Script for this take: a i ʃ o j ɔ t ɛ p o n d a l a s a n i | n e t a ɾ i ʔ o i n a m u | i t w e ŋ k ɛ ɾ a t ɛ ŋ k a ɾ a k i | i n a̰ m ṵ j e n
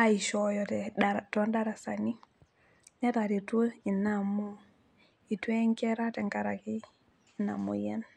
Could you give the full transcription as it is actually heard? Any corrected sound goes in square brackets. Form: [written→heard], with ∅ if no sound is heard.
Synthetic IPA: a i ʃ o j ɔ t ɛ [p→t] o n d a [l→ɾ] a s a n i | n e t a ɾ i [ʔ→t] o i n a m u | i t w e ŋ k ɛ ɾ a t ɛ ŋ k a ɾ a k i | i n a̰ m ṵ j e n